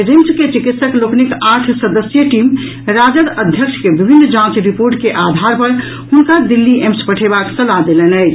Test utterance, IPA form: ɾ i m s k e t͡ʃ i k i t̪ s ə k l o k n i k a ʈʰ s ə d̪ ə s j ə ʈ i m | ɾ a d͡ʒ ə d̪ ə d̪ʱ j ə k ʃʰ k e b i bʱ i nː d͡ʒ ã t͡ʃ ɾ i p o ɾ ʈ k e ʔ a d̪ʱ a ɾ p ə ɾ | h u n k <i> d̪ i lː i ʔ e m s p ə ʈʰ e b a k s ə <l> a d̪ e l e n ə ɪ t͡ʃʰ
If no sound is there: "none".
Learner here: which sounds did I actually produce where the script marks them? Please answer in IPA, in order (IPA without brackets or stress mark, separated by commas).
a, l